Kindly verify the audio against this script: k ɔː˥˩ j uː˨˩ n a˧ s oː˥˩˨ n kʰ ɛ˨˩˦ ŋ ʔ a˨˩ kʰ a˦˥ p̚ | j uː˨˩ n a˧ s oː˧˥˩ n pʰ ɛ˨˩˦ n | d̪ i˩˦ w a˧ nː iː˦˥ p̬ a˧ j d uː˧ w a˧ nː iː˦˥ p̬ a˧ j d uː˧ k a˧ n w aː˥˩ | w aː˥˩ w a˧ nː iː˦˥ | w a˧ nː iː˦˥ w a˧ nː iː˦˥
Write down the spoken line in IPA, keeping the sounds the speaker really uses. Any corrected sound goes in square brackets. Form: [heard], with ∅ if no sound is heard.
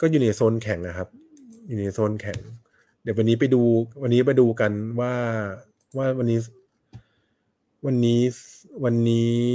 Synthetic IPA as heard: k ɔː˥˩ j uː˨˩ n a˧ s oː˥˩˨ n kʰ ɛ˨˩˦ ŋ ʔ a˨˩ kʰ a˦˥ p̚ | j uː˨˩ n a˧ s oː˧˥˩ n [kʰ] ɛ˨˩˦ [ŋ] | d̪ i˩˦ w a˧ nː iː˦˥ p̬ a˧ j d uː˧ w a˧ nː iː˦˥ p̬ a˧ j d uː˧ k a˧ n w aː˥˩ | w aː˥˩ w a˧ nː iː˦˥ | w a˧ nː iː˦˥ w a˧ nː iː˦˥